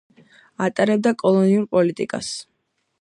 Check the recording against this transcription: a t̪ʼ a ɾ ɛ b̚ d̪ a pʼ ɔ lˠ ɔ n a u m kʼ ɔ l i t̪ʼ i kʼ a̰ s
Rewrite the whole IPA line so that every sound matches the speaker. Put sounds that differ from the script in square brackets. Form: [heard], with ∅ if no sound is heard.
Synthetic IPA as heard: a t̪ʼ a ɾ ɛ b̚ d̪ a [kʼ] ɔ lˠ ɔ n [i] u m [pʼ] ɔ l i t̪ʼ i kʼ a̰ s